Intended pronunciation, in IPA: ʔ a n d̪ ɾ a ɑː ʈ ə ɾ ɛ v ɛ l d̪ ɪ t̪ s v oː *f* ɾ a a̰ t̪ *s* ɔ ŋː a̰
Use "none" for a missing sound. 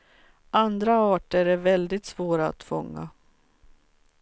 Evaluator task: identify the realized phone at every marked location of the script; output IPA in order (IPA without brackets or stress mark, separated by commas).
none, f